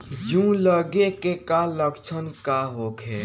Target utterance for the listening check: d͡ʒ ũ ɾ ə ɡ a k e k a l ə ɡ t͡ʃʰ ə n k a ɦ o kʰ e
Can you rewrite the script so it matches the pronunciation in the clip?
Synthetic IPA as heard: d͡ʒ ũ l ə ɡ e k e k a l ə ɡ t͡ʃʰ ə n k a ɦ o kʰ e